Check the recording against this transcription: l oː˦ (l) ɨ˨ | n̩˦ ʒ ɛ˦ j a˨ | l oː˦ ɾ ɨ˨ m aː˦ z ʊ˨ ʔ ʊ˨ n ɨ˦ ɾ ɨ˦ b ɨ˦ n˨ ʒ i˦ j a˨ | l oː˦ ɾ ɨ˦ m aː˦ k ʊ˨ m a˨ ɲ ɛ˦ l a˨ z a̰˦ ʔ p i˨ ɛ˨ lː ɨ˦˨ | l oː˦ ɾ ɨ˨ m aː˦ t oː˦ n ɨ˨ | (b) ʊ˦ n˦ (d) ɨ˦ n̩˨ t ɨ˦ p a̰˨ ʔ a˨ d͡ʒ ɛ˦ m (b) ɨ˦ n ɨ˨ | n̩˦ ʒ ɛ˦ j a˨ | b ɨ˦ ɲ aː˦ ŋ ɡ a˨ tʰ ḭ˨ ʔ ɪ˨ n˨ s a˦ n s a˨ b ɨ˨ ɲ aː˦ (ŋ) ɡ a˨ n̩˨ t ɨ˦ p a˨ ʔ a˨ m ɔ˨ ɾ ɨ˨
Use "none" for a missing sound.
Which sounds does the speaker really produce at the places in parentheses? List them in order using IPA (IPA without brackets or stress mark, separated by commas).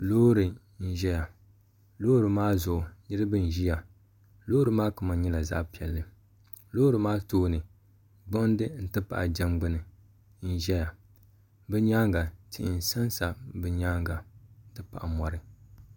ɾ, ɡ͡b, d, ɡ͡b, ŋ